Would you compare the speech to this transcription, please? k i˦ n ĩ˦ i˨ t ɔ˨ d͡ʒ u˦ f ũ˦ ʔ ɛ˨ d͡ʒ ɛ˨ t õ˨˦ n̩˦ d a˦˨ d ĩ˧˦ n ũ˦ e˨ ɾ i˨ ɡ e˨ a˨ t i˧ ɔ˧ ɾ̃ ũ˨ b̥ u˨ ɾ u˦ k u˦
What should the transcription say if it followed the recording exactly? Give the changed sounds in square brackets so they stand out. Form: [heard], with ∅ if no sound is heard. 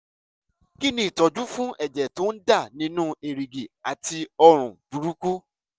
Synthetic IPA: k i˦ n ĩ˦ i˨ t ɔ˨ d͡ʒ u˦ f ũ˦ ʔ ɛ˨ d͡ʒ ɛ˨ t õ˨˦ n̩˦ d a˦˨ [n] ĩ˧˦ n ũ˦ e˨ ɾ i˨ ɡ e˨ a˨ t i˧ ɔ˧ ɾ̃ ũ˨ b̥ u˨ ɾ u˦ k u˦